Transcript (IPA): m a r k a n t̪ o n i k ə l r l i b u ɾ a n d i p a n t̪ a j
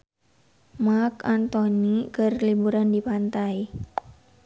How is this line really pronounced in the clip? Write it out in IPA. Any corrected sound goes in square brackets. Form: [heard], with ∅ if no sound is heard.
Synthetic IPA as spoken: m a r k a n t̪ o n i k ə [∅] r l i b u ɾ a n d i p a n t̪ a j

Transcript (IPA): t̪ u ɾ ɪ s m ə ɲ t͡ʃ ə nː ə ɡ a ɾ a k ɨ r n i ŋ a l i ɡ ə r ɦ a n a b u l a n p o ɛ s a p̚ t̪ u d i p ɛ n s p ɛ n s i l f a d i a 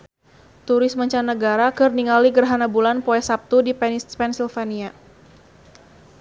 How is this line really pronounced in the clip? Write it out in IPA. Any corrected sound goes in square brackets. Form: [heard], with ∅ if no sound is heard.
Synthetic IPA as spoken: t̪ u ɾ ɪ s m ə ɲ t͡ʃ [a] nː ə ɡ a ɾ a k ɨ r n i ŋ a l i ɡ ə r ɦ a n a b u l a n p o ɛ s a p̚ t̪ u d i p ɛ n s p ɛ n s i l f a [n] i a

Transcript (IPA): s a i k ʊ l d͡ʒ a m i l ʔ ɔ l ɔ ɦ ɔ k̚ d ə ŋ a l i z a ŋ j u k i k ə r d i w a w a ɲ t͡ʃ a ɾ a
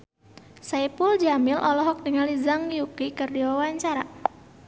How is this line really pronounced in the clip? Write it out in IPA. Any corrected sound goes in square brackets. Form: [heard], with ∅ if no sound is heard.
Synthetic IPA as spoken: s a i [p] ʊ l d͡ʒ a m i l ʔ ɔ l ɔ ɦ ɔ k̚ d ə ŋ a l i z a ŋ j u k i k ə r d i w a w a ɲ t͡ʃ a ɾ a

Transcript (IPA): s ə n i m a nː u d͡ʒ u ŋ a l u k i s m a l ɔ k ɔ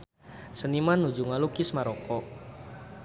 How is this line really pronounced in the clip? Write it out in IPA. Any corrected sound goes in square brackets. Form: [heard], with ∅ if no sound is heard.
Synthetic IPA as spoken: s ə n i m a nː u d͡ʒ u ŋ a l u k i s m a [ɾ] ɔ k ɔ

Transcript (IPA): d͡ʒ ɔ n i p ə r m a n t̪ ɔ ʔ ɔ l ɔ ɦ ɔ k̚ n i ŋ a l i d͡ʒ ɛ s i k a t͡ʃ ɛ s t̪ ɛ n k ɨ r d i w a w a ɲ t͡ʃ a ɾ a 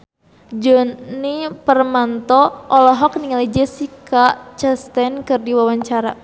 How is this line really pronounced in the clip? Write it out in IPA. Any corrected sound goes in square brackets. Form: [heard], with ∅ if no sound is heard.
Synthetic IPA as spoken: d͡ʒ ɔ n i p ə r m a n t̪ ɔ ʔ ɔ l ɔ ɦ ɔ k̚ n i ŋ a l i d͡ʒ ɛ s i k a t͡ʃ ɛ s t̪ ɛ n k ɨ r d i w a w a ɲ t͡ʃ a ɾ a

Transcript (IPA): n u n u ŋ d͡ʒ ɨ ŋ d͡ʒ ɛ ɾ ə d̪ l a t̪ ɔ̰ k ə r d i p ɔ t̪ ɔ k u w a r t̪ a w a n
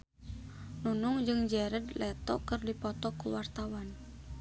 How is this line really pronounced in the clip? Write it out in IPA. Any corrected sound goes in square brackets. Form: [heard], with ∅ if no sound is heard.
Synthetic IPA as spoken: n u n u ŋ d͡ʒ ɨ ŋ d͡ʒ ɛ ɾ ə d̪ l [ɛ] t̪ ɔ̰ k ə r d i p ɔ t̪ ɔ k u w a r t̪ a w a n

